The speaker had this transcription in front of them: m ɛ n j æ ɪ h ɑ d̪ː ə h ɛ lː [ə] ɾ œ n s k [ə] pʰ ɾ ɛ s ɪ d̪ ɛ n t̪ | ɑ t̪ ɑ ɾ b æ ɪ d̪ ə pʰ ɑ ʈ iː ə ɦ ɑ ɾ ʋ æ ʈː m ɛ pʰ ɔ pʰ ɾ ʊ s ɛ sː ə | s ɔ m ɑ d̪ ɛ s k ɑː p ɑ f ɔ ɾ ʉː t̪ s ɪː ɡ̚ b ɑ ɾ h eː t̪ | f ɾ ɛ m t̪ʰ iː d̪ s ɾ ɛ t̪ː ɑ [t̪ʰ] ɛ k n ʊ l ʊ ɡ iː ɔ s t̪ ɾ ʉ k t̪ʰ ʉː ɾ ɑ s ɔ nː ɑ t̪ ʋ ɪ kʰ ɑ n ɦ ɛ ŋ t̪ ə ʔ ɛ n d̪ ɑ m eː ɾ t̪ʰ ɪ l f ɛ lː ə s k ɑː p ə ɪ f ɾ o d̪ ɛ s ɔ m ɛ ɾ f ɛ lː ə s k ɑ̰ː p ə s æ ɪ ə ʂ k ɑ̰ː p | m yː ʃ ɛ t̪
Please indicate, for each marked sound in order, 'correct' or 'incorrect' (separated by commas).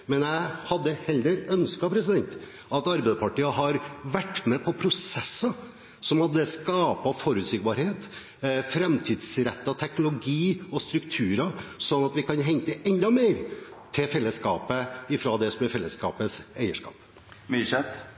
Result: correct, incorrect, correct